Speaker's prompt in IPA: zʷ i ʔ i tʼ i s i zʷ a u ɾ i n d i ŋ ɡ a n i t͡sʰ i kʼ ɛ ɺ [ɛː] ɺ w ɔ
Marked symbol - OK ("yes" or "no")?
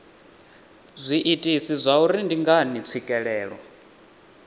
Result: yes